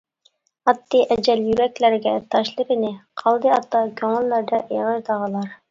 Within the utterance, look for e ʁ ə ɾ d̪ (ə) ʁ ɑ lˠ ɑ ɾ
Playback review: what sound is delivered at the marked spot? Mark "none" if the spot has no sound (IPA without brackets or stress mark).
ɑ